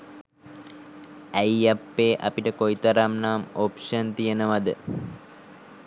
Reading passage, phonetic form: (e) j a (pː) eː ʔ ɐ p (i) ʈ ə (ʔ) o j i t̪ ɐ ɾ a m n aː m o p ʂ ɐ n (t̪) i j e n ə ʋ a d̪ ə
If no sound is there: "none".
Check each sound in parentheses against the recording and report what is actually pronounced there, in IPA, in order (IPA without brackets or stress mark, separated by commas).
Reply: æ, pː, i, k, t̪